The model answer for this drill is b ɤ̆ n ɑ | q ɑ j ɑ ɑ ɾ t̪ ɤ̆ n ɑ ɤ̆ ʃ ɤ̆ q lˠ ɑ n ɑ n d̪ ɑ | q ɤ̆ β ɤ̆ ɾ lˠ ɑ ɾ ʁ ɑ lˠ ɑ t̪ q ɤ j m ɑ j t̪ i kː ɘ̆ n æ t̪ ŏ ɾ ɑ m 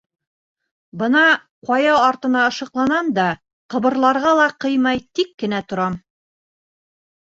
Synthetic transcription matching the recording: b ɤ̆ n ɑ | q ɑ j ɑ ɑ ɾ t̪ ɤ̆ n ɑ ɤ̆ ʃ ɤ̆ q lˠ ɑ n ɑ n d̪ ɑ | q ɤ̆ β ɤ̆ ɾ lˠ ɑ ɾ ʁ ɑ lˠ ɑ q ɤ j m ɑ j t̪ i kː ɘ̆ n æ t̪ ŏ ɾ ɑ m

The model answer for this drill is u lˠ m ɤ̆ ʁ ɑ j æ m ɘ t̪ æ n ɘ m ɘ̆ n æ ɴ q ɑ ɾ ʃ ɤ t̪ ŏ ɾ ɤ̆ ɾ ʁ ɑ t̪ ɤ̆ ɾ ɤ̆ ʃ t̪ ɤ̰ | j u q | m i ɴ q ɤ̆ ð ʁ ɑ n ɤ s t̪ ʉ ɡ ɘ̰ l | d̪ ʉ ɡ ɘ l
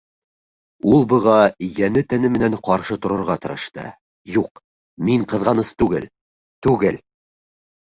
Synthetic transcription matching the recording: u lˠ b ɤ̆ ʁ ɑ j æ n ɘ t̪ æ n ɘ m ɘ̆ n æ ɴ q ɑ ɾ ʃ ɤ t̪ ŏ ɾ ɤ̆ ɾ ʁ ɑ t̪ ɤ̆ ɾ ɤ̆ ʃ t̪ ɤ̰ | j u q | m i ɴ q ɤ̆ ð ʁ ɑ n ɤ s t̪ ʉ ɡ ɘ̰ l | t̪ ʉ ɡ ɘ l

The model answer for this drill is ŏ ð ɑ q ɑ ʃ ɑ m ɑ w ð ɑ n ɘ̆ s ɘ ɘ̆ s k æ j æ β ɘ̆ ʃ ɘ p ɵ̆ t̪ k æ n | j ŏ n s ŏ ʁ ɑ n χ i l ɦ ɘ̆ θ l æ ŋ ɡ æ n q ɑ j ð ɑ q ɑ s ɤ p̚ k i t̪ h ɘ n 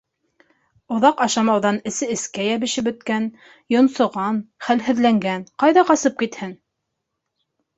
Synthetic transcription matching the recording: ŏ ð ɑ q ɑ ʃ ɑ m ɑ w ð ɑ n ɘ̆ s ɘ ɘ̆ s k æ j æ β ɘ̆ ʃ ɘ p ɵ̆ t̪ k æ n | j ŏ n s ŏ ʁ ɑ n χ æ l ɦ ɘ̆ ð l æ ŋ ɡ æ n q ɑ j ð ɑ q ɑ s ɤ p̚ k i t̪ h ɘ n

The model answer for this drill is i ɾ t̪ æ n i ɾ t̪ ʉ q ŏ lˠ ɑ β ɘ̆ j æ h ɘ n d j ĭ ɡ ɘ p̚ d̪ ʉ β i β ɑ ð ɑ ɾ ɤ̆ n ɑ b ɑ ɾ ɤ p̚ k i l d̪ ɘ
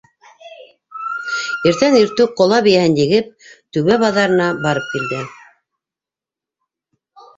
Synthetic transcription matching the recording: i ɾ t̪ æ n i ɾ t̪ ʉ q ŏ lˠ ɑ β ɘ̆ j æ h ɘ n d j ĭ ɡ ɘ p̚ t̪ ʉ β æ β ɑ ð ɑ ɾ ɤ̆ n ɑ b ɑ ɾ ɤ p̚ k i l d̪ ɘ

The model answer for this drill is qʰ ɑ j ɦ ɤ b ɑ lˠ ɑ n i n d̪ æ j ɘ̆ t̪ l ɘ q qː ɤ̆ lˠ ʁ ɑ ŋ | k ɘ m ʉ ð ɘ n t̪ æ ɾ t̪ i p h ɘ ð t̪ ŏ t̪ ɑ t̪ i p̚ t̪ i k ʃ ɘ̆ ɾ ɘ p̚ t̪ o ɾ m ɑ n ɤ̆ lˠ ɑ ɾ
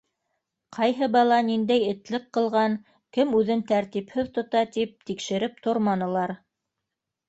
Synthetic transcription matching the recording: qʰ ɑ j ɦ ɤ b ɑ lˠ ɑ n i n d̪ æ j ɘ̆ t̪ l ɘ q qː ɤ̆ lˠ ʁ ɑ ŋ | k ɘ m ʉ ð ɘ n t̪ æ ɾ t̪ i p h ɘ ð t̪ ŏ t̪ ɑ t̪ i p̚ t̪ i k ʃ ɘ̆ ɾ ɘ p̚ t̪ o ɾ m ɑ n ɤ̆ lˠ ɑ ɾ

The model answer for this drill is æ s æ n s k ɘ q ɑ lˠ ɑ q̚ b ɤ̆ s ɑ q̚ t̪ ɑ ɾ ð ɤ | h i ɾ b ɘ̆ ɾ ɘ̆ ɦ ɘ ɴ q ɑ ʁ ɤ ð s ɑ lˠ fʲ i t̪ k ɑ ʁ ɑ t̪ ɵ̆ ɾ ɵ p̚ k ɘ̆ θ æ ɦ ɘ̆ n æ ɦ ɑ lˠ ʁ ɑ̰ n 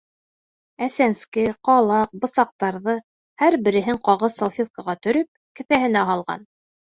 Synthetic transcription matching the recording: æ s æ n s k ɘ q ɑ lˠ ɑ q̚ b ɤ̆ s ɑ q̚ t̪ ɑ ɾ ð ɤ | h æ ɾ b ɘ̆ ɾ ɘ̆ ɦ ɘ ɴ q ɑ ʁ ɤ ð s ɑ lˠ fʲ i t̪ k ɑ ʁ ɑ t̪ ɵ̆ ɾ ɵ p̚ k ɘ̆ θ æ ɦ ɘ̆ n æ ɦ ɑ lˠ ʁ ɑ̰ n

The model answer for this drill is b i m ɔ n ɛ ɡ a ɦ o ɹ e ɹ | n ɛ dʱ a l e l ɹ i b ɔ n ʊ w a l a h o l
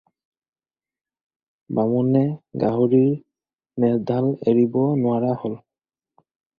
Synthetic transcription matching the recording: b a m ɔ n ɛ ɡ a ɦ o ɹ i ɹ | n ɛ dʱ a l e ɹ i b ɔ n ʊ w a ɹ a h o l

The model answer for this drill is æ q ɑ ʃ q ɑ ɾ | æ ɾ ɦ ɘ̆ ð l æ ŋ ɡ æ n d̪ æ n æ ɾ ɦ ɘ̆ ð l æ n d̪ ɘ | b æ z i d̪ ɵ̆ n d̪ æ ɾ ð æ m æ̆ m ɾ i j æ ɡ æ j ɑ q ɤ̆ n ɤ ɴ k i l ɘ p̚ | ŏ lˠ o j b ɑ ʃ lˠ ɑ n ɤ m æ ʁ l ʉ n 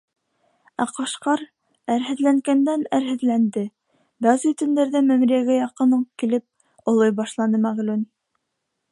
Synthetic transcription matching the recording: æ q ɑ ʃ q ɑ ɾ | æ ɾ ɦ ɘ̆ ð l æ ŋ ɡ æ n d̪ æ n æ ɾ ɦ ɘ̆ ð l æ n d̪ ɘ | b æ z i t̪ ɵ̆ n d̪ æ ɾ ð æ m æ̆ m ɾ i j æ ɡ æ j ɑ q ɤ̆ n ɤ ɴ k i l ɘ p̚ | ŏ lˠ o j b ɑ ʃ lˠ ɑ n ɤ m æ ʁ l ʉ n

